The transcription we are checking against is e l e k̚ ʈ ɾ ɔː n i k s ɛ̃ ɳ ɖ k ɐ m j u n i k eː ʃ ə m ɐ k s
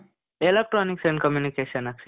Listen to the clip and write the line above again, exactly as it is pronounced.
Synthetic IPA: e l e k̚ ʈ ɾ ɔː n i k s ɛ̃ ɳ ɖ k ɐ m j u n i k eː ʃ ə n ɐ k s